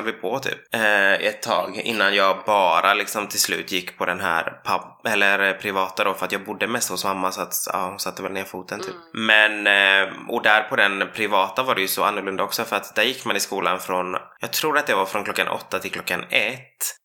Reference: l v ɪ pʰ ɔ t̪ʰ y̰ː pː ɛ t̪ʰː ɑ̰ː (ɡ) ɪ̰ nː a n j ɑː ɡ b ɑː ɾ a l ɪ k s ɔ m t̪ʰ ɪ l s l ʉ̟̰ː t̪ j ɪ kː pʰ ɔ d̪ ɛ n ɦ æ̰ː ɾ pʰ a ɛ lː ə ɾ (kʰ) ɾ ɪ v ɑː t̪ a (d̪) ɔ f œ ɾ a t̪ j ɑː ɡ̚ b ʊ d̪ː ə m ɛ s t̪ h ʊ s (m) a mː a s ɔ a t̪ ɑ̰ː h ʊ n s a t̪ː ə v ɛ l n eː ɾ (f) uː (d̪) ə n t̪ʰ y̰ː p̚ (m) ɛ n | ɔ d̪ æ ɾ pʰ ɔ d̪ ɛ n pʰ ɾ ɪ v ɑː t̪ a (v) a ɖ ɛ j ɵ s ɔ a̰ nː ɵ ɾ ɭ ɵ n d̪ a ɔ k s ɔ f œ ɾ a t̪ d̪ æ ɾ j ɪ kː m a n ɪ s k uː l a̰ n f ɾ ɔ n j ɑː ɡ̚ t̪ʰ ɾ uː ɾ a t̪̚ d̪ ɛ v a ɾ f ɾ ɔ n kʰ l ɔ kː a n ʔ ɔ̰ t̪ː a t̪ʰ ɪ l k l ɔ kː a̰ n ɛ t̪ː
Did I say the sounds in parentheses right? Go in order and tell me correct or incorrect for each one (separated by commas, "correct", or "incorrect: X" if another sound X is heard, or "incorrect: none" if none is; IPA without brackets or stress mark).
correct, incorrect: pʰ, correct, correct, correct, incorrect: t̪, correct, correct